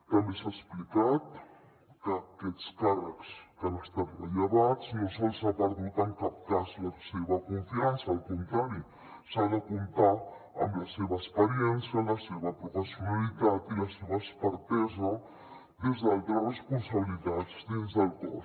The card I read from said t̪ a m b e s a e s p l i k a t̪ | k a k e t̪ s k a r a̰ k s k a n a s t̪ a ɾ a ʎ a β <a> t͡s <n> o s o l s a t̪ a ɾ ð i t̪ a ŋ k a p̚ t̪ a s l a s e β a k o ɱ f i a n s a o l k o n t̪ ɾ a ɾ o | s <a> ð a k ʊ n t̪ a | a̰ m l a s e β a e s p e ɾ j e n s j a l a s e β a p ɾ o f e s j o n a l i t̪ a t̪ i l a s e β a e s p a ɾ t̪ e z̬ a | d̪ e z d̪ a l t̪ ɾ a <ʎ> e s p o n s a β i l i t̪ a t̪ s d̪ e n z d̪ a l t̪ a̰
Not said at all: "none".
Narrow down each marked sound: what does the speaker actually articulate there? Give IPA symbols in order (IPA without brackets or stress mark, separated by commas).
a, n, a, r